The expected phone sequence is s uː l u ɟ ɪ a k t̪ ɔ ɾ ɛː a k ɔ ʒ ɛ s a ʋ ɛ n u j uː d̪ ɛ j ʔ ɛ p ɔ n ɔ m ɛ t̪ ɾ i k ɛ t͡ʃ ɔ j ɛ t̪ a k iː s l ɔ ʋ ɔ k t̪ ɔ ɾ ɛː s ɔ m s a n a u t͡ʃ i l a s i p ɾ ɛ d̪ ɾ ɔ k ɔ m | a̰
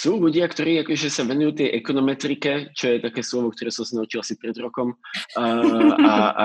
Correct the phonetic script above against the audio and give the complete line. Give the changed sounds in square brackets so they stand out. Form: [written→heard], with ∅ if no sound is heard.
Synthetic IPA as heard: s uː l u ɟ ɪ a k t̪ ɔ ɾ [ɛː→iː] a k ɔ ʒ ɛ s a ʋ ɛ n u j uː [d̪→t̪] ɛ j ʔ ɛ [p→k] ɔ n ɔ m ɛ t̪ ɾ i k ɛ t͡ʃ ɔ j ɛ t̪ a k [iː→ɛː] s l ɔ ʋ ɔ k t̪ ɔ ɾ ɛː s ɔ m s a n a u t͡ʃ i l a s i p ɾ ɛ d̪ ɾ ɔ k ɔ m | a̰